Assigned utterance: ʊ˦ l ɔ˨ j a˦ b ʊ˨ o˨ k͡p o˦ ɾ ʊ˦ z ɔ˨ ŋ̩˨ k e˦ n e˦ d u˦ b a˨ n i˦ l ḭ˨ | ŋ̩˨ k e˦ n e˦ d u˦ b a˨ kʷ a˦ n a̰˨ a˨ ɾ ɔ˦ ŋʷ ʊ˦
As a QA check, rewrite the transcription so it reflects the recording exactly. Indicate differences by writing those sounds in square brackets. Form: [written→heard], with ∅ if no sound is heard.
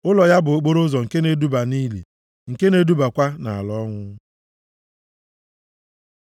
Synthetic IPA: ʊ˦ l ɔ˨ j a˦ b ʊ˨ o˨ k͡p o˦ ɾ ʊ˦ z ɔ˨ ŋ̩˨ k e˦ n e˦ d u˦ b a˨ n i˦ l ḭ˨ | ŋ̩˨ k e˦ n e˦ d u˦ b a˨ kʷ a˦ n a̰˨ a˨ [ɾ→l] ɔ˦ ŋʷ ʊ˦